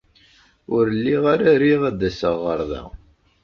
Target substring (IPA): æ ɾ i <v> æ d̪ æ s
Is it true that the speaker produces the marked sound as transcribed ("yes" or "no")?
no